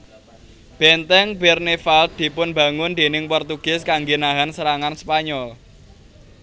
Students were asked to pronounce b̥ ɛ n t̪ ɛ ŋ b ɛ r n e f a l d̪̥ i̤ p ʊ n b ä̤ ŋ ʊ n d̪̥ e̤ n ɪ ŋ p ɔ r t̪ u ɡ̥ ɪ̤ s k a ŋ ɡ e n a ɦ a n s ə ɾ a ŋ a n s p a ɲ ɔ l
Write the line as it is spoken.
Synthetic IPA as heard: b̥ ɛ n t̪ ɛ ŋ b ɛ r n e f a l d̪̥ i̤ p ʊ n b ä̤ ŋ ʊ n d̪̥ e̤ n ɪ ŋ p ɔ r t̪ u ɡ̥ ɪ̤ s k a ŋ ɡ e n a ɦ a n s ə ɾ a ŋ a n s p a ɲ ɔ l